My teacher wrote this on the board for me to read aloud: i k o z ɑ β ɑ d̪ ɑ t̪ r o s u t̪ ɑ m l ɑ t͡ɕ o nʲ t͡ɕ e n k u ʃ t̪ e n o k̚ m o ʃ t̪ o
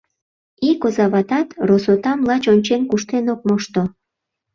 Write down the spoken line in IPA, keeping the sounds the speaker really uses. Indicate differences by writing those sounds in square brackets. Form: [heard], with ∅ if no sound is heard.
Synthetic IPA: i k o z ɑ β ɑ [t̪] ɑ t̪ r o s [o] t̪ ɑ m l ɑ t͡ɕ o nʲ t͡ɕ e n k u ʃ t̪ e n o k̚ m o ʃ t̪ o